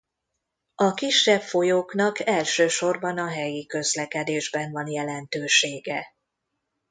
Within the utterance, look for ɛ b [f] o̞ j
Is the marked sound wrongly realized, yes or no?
no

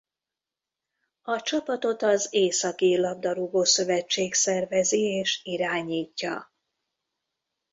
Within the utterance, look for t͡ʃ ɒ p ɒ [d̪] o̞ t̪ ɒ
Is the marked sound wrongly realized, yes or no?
yes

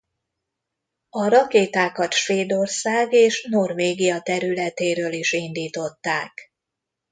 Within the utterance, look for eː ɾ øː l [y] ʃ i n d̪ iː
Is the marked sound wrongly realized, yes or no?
yes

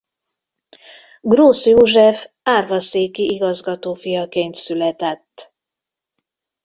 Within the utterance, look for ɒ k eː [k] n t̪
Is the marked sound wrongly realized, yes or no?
yes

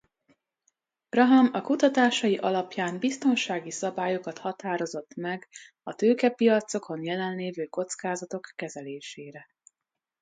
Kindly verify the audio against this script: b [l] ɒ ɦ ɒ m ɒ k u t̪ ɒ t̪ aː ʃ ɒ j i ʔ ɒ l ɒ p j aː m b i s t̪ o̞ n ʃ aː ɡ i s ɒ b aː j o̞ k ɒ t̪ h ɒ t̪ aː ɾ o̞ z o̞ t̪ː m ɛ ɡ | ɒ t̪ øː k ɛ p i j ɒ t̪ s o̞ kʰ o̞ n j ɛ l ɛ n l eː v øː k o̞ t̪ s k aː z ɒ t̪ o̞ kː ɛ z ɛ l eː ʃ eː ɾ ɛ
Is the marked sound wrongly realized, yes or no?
yes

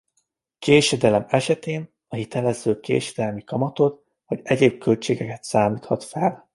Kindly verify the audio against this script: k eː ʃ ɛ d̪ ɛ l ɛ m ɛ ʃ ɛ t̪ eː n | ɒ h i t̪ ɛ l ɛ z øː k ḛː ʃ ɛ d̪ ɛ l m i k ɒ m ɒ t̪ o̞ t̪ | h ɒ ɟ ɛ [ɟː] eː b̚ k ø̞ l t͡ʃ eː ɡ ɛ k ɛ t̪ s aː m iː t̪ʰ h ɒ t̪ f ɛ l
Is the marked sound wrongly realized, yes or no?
yes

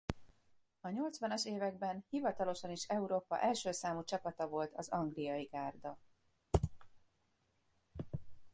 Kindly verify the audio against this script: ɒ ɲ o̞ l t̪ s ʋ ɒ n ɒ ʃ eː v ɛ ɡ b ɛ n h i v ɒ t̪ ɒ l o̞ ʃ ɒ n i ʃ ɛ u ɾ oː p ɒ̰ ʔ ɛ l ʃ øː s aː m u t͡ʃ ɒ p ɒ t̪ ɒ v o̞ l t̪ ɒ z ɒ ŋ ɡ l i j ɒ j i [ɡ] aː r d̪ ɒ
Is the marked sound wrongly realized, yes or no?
no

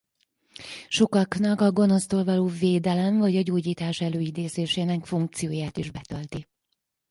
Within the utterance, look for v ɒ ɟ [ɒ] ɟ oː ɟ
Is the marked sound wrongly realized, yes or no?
no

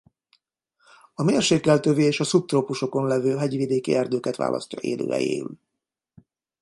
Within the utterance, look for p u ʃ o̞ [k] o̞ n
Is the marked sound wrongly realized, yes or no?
no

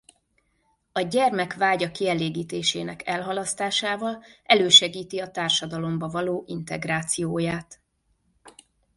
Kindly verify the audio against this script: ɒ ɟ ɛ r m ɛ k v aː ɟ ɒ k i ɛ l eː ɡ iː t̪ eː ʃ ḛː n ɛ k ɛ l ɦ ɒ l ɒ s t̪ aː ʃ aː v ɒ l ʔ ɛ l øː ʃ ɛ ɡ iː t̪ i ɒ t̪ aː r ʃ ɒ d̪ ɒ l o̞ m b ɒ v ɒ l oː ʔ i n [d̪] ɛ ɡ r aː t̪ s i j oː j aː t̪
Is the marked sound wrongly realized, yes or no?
yes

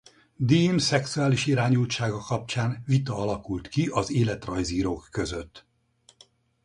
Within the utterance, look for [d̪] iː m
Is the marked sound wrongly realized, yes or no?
no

